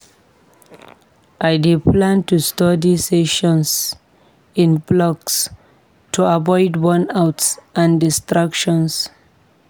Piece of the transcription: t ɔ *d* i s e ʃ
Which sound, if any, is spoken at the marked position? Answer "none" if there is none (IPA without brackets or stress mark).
d